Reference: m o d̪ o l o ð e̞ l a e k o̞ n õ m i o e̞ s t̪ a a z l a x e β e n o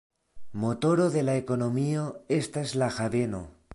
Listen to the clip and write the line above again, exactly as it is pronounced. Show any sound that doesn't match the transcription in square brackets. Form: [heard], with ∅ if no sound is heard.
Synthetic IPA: m o [t̪] o [ɾ] o ð e̞ l a e k o̞ n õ m i o e̞ s t̪ a [e] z l a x [a] β e n o

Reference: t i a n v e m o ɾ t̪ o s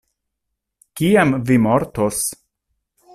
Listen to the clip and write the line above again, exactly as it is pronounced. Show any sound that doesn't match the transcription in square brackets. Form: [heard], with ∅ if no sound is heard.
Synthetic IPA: [k] i a [m] v [i] m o ɾ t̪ o s

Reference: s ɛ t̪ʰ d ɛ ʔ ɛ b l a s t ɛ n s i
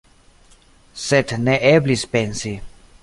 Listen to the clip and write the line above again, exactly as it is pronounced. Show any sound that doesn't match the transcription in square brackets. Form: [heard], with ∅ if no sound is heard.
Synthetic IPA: s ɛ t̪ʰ [n] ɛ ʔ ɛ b l [i] s [p] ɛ n s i

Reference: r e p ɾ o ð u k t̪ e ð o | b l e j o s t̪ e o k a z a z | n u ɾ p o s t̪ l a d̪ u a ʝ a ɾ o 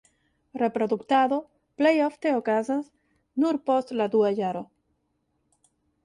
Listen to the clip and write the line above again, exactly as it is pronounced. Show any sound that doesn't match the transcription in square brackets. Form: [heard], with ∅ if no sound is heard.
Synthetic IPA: r e p ɾ o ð u k t̪ [a] ð o | [p] l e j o [f] t̪ e o k a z a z | n u ɾ p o s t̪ l a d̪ u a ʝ a ɾ o

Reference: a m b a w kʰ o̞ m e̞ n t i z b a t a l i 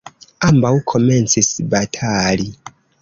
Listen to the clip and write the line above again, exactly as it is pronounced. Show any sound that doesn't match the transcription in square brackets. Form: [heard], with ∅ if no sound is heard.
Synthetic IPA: a m b a w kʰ o̞ m e̞ n [t͡s] i [s] b a [tʰ] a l i

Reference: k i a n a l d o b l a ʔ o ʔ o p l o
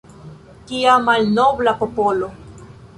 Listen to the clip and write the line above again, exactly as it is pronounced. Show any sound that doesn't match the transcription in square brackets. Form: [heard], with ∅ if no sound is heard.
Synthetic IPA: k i a [m] a l [n] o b l a [p] o [p] o [∅] l o

